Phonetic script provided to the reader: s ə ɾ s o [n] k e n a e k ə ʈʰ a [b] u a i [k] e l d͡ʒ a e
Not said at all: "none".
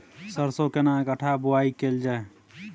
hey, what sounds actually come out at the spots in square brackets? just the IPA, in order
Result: none, b, k

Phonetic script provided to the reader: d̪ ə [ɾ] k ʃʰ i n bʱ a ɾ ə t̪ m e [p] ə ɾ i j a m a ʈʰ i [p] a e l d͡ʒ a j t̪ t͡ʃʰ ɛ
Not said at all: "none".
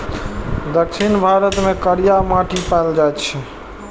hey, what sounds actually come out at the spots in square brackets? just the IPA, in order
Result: none, k, p

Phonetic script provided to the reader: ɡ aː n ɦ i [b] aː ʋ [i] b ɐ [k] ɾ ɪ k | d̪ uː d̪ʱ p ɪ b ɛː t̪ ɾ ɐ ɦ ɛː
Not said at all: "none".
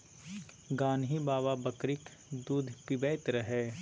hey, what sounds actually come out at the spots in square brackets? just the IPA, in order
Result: b, a, k

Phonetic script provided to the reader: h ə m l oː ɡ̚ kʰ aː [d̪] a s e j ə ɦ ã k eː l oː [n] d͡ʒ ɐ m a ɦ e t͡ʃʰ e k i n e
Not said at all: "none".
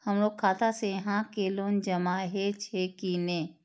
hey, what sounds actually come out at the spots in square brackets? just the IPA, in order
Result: t̪, n

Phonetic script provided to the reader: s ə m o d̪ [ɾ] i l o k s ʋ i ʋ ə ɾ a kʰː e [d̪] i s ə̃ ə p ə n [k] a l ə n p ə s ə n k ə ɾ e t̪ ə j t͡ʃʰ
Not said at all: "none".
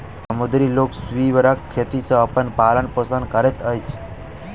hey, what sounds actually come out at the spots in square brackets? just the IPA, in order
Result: ɾ, t̪, p

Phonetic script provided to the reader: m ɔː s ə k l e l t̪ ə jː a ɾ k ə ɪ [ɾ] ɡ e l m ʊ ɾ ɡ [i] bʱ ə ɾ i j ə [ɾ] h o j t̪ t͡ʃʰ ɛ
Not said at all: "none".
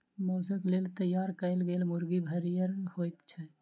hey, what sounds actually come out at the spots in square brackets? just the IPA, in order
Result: l, i, ɾ

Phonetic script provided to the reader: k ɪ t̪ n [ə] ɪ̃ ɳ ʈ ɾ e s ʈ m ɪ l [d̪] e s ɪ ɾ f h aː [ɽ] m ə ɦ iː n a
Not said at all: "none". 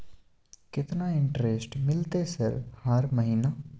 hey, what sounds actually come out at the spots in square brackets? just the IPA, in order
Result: a, t̪, ɾ

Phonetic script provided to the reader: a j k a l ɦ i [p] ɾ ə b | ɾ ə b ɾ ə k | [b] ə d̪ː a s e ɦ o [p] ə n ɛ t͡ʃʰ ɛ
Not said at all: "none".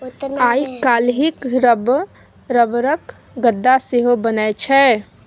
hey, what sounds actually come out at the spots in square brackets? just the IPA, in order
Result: k, ɡ, b

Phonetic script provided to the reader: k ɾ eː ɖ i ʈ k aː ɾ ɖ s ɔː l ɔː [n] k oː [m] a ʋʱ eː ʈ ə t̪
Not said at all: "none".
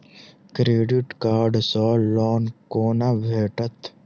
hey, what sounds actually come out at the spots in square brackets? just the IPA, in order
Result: n, n

